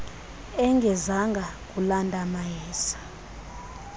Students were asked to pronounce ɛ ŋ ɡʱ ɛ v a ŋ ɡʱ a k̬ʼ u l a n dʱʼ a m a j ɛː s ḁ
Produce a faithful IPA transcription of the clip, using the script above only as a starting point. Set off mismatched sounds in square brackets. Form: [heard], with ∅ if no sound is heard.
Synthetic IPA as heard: ɛ ŋ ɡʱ ɛ [z] a ŋ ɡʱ a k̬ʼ u l a n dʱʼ a m a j ɛː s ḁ